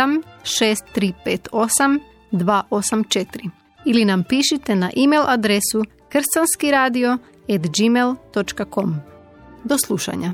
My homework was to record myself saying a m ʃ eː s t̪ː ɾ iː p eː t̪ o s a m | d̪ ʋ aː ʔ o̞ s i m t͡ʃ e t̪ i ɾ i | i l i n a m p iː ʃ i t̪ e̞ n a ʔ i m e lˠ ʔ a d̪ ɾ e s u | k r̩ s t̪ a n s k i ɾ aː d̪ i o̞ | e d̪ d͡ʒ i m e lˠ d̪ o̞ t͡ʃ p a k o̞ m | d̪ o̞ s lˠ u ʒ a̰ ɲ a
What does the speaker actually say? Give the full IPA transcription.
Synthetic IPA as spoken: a m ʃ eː s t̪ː ɾ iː p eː t̪ o s a m | d̪ ʋ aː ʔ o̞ s a m t͡ʃ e t̪ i ɾ i | i l i n a m p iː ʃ i t̪ e̞ n a ʔ i m e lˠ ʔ a d̪ ɾ e s u | k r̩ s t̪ a n s k i ɾ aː d̪ i o̞ | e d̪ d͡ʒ i m e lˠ t̪ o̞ t͡ʃ k a k o̞ m | d̪ o̞ s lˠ u ʃ a̰ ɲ a